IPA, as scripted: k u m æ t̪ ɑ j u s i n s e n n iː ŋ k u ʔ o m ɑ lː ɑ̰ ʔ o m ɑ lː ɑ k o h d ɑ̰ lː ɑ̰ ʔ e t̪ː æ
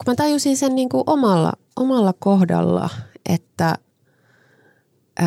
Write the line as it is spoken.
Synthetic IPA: k u m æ t̪ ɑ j u s i n s e n n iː ŋ k u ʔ o m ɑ lː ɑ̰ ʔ o m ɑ lː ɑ k o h d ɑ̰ lː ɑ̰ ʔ e t̪ː æ